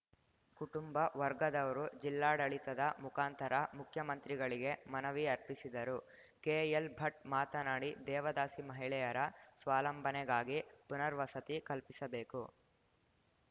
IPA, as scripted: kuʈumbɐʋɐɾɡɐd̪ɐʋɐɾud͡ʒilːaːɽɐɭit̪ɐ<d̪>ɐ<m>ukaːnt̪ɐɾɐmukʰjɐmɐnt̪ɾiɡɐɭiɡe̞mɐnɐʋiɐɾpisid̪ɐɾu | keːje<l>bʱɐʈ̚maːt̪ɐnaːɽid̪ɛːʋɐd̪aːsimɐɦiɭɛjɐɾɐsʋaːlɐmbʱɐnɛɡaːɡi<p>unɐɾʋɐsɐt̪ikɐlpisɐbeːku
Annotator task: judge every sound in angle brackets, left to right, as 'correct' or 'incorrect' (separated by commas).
correct, correct, correct, correct